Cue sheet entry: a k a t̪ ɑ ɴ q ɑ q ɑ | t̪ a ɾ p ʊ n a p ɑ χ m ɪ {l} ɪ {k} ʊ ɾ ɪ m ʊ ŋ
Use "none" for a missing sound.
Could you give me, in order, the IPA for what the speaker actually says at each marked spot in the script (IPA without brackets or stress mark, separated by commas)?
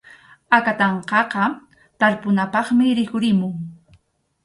ɾ, k